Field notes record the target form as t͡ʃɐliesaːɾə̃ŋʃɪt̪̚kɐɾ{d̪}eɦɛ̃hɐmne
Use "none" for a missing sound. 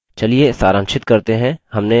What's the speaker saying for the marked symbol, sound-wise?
t̪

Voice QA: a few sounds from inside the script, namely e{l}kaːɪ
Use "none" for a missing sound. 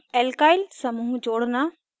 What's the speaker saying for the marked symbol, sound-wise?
l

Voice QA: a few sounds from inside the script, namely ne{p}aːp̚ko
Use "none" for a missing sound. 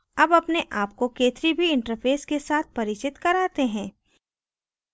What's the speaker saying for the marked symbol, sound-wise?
ʔ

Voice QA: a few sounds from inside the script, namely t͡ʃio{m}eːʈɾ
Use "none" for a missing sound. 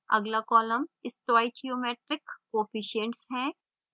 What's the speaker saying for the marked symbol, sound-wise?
m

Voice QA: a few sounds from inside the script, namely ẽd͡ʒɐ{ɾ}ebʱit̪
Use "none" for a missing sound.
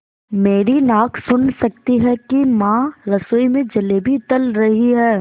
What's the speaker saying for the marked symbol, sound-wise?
l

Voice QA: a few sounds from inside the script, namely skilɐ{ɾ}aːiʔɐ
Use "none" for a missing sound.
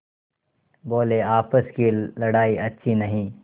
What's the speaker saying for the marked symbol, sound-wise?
ɽ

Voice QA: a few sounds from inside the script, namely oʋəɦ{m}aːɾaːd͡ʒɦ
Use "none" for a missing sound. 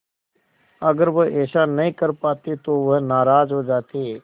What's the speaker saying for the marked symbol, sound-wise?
n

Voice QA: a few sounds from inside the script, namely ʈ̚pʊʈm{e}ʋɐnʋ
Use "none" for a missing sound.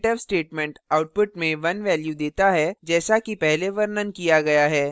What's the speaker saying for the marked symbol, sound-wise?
ẽ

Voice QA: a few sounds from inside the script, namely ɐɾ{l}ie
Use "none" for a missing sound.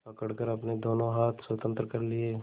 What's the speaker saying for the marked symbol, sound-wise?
l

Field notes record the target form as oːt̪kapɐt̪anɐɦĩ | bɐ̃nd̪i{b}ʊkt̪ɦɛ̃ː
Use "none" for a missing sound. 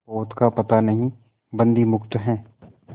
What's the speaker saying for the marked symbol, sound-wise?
m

